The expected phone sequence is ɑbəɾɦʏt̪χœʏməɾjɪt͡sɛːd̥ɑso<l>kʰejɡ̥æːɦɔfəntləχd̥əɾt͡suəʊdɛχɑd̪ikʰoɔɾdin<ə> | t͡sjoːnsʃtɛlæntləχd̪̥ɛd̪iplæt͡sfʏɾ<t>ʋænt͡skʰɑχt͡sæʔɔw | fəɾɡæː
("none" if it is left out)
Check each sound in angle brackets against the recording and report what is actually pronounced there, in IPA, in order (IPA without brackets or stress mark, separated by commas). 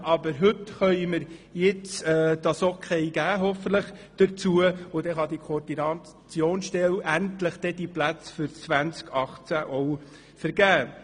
none, ɑ, t͡s